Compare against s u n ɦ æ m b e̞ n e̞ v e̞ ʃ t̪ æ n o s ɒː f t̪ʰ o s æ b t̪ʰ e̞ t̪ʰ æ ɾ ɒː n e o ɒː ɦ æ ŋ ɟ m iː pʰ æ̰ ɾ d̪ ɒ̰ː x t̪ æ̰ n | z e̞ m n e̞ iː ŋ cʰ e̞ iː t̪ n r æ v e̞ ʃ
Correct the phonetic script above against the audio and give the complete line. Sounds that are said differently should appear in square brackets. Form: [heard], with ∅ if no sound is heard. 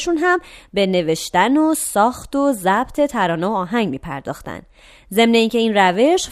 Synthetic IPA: [ʃ] u n ɦ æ m b e̞ n e̞ v e̞ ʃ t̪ æ n o s ɒː [x] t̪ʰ o [z] æ b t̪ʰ e̞ t̪ʰ æ ɾ ɒː n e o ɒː ɦ æ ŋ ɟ m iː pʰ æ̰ ɾ d̪ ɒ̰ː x t̪ æ̰ n | z e̞ m n e̞ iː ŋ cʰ e̞ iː [∅] n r æ v e̞ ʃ